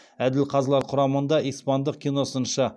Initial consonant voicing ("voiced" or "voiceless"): voiced